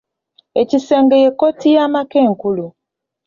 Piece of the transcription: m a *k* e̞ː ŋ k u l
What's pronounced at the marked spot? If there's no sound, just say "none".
k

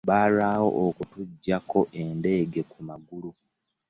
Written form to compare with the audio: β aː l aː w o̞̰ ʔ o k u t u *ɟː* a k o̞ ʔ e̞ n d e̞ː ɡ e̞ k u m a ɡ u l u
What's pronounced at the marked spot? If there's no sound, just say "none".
ɟː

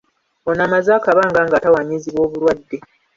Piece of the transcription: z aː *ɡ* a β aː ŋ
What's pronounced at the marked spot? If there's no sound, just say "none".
k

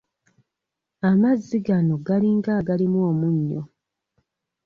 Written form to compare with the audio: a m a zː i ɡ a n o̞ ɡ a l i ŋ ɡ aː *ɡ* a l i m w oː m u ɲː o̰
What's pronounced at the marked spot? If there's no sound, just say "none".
ɡ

